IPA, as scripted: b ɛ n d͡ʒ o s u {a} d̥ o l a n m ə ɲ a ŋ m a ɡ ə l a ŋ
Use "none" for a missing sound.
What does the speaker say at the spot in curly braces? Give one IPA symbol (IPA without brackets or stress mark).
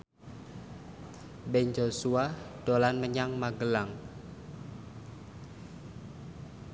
a